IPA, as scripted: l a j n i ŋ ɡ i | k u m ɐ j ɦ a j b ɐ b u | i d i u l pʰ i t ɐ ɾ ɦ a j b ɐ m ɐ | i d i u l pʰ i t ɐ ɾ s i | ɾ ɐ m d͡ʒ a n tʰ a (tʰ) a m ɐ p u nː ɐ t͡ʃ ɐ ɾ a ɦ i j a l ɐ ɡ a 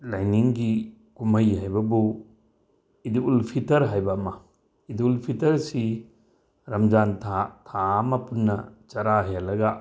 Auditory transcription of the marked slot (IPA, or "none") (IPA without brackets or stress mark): tʰ